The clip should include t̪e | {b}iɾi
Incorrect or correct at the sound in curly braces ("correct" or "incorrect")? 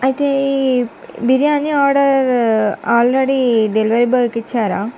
correct